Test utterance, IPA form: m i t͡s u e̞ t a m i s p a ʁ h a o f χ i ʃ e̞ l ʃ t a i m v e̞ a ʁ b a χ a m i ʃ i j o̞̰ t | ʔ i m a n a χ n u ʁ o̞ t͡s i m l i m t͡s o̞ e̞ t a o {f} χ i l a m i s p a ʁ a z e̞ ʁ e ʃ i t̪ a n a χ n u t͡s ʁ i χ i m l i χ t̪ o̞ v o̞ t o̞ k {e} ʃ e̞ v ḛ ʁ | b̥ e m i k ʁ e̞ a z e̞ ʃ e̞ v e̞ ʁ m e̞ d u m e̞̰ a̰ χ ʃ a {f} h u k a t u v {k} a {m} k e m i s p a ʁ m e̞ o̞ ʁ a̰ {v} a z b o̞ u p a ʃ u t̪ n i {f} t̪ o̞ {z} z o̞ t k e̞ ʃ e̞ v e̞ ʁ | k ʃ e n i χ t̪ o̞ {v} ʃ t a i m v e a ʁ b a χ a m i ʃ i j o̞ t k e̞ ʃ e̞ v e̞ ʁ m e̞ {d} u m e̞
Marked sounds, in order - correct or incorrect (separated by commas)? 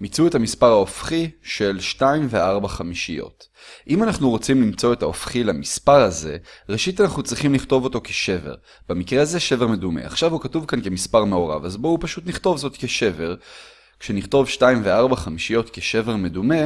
correct, correct, incorrect, correct, incorrect, correct, incorrect, incorrect, correct, correct